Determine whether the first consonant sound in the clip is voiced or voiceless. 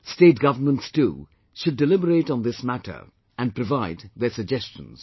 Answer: voiceless